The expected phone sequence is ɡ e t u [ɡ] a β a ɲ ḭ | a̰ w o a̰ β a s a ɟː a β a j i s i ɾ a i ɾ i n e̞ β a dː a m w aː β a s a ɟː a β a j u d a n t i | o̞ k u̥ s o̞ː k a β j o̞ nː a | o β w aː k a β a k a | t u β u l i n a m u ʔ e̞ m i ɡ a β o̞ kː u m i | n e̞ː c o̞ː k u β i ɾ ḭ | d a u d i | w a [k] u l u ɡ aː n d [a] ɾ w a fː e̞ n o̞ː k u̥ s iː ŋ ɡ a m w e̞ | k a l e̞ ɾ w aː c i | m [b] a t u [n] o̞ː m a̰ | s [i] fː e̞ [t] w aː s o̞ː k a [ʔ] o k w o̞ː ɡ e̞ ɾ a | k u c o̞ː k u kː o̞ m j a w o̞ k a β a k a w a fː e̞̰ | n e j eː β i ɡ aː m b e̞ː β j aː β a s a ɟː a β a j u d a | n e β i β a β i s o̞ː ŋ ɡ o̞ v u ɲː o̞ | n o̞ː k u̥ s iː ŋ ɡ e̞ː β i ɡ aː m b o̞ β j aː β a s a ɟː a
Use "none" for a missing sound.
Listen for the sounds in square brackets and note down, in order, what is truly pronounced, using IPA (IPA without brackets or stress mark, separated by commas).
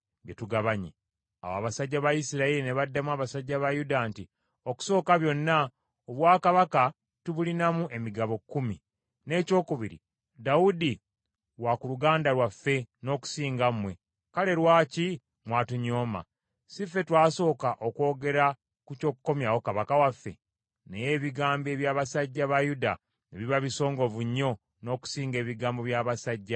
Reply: ɡ, k, a, w, ɲ, i, t, ʔ